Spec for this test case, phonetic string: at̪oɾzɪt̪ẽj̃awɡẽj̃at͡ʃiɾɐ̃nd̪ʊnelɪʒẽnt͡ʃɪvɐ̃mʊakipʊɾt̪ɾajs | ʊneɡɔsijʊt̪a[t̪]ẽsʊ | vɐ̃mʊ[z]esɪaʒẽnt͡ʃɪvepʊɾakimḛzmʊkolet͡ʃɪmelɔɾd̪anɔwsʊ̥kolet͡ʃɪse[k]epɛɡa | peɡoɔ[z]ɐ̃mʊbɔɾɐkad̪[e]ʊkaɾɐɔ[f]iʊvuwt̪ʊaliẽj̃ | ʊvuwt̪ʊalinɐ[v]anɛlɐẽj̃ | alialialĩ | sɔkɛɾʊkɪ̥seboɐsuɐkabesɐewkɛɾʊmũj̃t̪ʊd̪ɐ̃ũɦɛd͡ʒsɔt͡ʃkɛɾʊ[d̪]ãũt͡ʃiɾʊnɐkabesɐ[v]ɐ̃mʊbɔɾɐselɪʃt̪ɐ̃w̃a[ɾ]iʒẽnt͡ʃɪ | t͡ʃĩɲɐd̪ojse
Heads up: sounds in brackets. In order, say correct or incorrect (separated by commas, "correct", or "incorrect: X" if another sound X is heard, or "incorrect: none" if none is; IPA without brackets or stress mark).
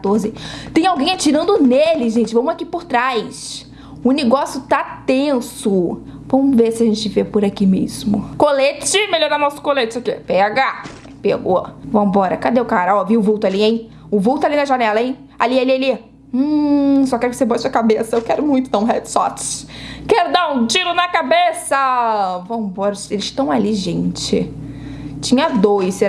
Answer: correct, incorrect: v, correct, incorrect: v, correct, incorrect: v, incorrect: ʒ, correct, correct, incorrect: l